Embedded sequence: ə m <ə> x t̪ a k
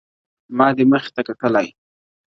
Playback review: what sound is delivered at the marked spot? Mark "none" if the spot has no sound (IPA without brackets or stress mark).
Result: ə